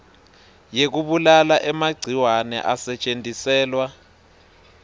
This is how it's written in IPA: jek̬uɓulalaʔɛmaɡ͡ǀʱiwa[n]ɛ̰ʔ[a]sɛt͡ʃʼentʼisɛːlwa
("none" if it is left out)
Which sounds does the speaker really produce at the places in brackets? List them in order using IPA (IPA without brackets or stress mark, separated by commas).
n, a